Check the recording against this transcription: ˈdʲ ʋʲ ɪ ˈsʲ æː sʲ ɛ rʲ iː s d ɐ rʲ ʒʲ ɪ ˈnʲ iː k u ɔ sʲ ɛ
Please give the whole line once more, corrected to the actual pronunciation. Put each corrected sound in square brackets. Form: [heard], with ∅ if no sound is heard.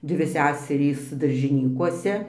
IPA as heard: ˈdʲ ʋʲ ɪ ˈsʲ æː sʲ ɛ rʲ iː s d ɐ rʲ ʒʲ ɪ ˈnʲ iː k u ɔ sʲ ɛ